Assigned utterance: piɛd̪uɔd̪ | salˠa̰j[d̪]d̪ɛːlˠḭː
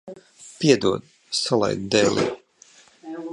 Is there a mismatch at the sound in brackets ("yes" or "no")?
no